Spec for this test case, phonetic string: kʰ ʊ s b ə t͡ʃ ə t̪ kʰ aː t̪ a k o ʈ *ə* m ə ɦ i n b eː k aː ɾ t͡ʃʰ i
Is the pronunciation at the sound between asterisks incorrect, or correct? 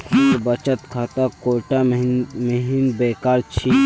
incorrect